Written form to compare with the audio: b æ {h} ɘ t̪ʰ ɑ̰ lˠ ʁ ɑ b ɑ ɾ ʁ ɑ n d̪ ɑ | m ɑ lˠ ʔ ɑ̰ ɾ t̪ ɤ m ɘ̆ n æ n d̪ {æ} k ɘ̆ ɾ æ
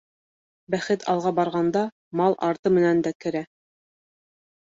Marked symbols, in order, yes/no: no, yes

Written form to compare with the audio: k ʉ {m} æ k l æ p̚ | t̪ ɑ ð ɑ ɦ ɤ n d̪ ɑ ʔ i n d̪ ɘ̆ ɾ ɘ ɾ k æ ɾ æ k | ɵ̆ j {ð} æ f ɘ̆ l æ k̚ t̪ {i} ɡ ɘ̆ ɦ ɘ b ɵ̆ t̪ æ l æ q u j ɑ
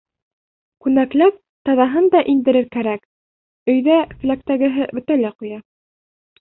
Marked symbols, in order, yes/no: no, yes, no

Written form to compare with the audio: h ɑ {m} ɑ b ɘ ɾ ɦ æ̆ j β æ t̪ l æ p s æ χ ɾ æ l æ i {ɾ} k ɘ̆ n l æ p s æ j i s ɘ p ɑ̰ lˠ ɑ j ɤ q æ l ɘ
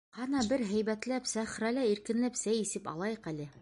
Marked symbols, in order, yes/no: no, yes

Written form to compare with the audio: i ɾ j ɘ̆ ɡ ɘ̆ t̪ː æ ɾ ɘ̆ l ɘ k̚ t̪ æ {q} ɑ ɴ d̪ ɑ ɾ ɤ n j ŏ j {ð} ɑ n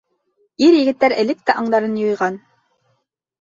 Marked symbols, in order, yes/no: no, no

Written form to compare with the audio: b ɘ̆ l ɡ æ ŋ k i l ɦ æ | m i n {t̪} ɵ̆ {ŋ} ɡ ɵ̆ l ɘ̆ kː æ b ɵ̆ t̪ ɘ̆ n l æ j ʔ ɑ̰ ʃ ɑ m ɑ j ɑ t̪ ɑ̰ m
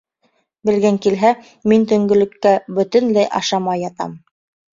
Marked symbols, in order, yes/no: yes, yes

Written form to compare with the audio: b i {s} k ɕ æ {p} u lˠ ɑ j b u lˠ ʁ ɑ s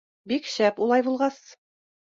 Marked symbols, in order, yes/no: no, yes

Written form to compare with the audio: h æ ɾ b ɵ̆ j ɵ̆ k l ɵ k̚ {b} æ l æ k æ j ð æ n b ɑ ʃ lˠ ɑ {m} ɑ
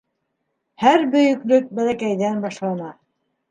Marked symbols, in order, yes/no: yes, no

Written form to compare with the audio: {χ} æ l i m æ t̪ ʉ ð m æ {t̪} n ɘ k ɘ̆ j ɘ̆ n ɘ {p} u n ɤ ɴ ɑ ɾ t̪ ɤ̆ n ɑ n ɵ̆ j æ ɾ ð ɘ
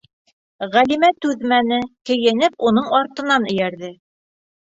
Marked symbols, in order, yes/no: no, no, yes

